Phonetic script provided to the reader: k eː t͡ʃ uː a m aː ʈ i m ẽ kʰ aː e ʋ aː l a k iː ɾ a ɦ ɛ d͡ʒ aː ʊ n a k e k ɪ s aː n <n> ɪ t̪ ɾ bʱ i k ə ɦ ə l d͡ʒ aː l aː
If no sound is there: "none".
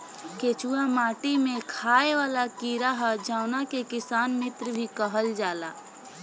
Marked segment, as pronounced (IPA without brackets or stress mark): m